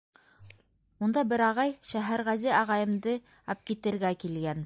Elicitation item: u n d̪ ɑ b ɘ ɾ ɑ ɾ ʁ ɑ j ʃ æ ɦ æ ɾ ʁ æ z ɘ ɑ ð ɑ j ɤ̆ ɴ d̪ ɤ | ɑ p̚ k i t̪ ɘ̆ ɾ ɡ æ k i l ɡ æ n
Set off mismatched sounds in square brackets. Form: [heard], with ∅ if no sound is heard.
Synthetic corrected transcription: u n d̪ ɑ b ɘ ɾ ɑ [∅] ʁ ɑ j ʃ æ ɦ æ ɾ ʁ æ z ɘ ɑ [ʁ] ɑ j ɤ̆ [m] d̪ ɤ | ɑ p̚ k i t̪ ɘ̆ ɾ ɡ æ k i l ɡ æ n